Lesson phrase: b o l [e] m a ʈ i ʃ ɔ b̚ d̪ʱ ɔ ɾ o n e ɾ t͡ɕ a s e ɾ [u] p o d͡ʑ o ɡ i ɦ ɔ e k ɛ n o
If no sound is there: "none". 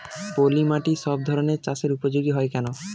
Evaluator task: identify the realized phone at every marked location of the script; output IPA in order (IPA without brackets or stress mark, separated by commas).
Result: i, u